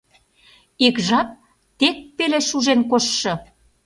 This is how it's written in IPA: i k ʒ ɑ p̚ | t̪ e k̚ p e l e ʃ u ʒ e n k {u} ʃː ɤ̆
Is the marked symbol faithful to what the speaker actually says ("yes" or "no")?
no